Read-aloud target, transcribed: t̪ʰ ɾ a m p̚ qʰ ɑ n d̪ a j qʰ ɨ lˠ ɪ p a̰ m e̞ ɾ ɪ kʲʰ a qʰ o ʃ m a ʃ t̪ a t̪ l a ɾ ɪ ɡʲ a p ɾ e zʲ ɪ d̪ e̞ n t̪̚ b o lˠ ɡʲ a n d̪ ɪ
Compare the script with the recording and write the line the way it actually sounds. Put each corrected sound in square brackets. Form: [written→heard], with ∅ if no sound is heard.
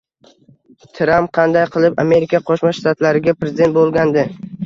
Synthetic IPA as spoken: t̪ʰ ɾ a m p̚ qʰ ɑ n d̪ a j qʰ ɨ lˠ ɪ p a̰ m e̞ ɾ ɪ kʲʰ a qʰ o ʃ m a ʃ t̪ a t̪ l a ɾ ɪ ɡʲ a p ɾ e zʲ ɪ d̪ e̞ n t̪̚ b o lˠ ɡʲ a n d̪ ɪ